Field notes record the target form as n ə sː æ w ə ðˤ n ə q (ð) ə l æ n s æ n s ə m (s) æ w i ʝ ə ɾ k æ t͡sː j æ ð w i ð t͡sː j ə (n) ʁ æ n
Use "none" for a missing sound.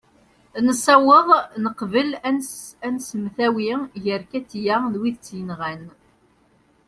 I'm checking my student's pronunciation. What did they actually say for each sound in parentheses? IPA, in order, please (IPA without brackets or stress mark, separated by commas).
v, θ, n